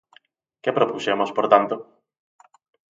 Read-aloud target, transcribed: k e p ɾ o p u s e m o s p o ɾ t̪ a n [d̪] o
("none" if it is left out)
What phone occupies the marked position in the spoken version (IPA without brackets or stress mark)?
t̪